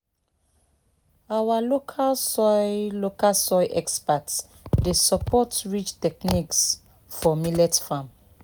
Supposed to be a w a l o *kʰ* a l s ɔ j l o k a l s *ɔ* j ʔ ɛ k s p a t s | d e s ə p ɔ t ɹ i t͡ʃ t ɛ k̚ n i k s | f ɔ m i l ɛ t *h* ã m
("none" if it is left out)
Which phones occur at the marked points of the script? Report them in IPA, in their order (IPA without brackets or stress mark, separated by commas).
kʰ, ɔ, f